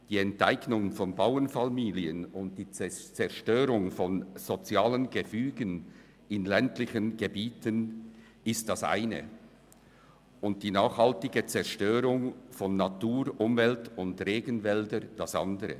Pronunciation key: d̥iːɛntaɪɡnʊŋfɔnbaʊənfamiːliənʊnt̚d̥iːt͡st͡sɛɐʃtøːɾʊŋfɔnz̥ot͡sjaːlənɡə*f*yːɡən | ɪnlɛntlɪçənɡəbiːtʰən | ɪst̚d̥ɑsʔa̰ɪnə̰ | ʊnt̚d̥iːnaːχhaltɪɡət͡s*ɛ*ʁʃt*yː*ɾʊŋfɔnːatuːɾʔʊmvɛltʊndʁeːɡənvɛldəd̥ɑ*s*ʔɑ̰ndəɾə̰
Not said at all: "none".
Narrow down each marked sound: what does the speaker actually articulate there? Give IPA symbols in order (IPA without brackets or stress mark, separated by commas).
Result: f, ɛ, øː, s